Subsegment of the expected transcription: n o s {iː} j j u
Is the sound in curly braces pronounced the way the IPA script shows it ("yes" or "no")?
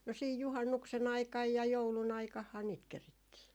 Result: yes